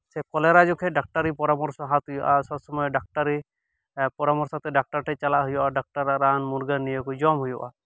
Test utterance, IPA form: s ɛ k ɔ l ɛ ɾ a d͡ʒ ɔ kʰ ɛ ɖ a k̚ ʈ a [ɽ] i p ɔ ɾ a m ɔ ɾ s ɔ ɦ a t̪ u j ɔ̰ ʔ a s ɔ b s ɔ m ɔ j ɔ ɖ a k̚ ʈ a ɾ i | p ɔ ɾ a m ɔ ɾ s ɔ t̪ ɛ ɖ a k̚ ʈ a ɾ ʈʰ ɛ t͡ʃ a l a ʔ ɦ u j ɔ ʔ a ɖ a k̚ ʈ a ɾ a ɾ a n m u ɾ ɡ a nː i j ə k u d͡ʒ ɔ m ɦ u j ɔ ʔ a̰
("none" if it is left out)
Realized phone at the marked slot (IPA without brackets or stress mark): ɾ